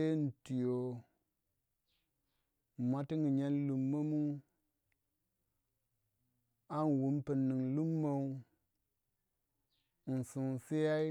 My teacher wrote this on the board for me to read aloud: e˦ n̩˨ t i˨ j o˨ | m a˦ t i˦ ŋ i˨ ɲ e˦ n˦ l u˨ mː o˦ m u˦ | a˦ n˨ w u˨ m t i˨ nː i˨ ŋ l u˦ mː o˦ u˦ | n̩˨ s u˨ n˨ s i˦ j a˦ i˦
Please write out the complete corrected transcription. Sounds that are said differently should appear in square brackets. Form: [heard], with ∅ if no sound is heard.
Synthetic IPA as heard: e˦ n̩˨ t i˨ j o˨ | m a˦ t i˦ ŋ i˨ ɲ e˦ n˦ l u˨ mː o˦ m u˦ | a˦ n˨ w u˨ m [p] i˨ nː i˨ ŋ l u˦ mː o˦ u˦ | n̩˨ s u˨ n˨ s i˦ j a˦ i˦

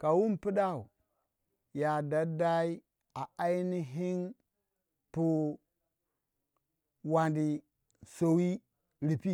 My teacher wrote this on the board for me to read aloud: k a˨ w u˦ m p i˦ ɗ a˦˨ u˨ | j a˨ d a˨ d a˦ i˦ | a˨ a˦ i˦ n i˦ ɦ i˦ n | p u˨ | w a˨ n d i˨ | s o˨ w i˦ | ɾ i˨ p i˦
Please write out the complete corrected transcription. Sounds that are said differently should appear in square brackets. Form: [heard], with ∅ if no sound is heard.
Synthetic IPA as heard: k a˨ w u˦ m p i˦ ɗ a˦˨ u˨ | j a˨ d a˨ d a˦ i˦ | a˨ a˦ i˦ n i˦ ɦ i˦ n | p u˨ | w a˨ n d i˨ | s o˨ w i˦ | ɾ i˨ p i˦

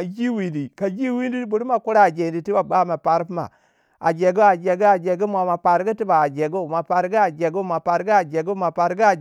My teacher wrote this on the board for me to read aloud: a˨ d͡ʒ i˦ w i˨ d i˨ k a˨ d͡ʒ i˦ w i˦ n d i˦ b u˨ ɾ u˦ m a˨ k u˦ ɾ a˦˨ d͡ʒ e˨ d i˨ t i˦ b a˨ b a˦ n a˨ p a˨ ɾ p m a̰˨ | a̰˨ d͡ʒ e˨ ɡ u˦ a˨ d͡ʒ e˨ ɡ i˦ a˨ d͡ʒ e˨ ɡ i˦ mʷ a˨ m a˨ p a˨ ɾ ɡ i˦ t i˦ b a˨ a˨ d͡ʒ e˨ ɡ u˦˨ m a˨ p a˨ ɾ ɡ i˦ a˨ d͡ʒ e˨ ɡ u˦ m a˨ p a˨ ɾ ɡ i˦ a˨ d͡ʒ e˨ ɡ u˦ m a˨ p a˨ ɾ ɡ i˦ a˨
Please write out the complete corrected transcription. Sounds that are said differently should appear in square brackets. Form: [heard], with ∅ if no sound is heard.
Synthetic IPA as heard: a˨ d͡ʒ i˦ w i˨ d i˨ k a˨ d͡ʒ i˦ w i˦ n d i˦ b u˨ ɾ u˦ m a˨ k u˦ ɾ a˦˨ d͡ʒ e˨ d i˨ t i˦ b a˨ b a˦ [m] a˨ p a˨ ɾ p m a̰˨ | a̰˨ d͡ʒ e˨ ɡ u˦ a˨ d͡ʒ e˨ ɡ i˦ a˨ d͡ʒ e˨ ɡ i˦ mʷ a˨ m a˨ p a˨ ɾ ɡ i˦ t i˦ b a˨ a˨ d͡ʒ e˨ ɡ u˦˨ m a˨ p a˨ ɾ ɡ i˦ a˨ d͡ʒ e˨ ɡ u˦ m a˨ p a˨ ɾ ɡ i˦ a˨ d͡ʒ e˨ ɡ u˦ m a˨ p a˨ ɾ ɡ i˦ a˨

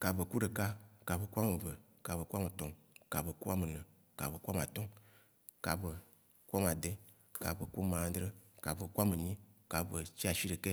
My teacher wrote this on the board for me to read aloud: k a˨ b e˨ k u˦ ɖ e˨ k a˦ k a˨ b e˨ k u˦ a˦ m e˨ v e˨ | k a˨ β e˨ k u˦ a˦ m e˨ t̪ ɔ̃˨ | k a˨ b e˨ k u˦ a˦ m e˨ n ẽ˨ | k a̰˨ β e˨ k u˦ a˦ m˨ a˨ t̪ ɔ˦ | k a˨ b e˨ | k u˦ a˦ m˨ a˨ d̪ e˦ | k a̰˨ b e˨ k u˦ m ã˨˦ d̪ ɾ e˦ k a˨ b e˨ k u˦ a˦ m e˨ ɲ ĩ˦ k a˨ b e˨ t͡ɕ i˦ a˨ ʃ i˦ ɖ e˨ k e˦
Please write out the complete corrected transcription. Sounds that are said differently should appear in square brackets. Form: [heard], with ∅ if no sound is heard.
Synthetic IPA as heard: k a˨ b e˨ k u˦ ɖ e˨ k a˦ k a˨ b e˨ k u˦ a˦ m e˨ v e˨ | k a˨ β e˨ k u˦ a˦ m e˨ t̪ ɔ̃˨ | k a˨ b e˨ k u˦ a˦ m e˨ n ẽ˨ | k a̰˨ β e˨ k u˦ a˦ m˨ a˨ t̪ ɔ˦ | k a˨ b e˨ | k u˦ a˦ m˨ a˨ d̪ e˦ | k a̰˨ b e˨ k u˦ m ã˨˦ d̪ ɾ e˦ k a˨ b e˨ k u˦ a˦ m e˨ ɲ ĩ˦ k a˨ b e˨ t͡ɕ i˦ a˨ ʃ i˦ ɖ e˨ k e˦

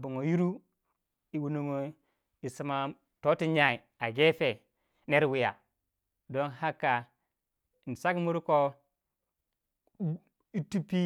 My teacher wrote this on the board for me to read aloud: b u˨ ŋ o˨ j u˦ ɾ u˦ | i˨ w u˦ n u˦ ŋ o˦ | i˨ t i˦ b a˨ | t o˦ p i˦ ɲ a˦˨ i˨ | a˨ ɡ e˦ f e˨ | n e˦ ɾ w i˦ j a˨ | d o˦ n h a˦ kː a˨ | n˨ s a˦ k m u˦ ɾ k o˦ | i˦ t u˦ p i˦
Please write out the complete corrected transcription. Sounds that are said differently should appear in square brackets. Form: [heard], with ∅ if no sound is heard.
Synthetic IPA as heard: b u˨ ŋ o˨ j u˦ ɾ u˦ | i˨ w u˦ n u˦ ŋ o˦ | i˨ [s] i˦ [m] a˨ | t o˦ [t] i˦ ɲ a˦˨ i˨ | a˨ ɡ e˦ f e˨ | n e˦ ɾ w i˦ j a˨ | d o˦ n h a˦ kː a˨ | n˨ s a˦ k m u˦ ɾ k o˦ | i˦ t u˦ p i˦

